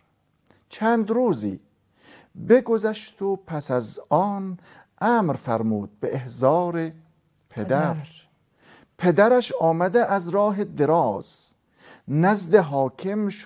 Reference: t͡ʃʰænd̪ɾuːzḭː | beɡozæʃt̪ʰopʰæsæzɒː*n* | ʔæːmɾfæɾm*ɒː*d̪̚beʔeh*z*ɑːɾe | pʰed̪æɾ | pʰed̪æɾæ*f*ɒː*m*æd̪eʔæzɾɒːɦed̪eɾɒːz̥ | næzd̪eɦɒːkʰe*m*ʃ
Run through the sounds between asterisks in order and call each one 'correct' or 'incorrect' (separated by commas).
correct, incorrect, correct, incorrect, correct, correct